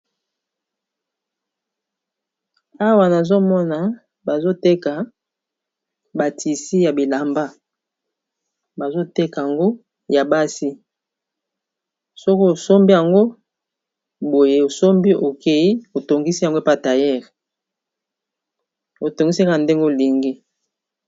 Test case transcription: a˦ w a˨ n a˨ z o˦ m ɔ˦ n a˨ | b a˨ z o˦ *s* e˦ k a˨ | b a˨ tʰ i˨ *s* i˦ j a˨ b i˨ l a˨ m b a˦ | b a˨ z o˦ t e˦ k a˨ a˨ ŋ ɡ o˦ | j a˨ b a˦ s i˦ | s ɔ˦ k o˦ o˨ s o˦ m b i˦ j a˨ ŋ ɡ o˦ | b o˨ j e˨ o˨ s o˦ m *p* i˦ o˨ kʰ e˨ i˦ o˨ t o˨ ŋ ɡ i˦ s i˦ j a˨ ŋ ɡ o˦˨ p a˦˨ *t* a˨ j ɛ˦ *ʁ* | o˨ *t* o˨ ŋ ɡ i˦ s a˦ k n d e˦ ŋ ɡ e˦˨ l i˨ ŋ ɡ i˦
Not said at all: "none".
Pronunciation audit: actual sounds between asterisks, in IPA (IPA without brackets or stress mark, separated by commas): t, s, b, t, ʁ, t